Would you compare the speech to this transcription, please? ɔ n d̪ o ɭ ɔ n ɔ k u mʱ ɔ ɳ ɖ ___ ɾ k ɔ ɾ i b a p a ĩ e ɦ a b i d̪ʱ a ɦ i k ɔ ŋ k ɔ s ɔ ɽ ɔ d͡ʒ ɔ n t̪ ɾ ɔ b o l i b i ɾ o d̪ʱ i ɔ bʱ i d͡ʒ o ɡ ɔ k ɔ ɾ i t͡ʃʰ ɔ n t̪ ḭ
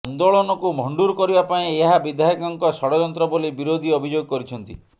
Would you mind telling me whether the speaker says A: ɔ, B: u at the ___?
B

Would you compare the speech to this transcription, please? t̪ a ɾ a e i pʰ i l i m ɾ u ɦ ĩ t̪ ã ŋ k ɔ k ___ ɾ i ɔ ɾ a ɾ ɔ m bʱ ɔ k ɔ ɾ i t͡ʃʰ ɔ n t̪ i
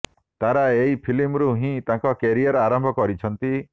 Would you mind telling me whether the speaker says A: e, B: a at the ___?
A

